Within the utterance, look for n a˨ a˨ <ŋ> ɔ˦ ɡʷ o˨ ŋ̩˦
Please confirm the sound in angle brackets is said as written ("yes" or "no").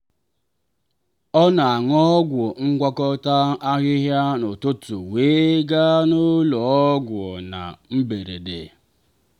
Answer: yes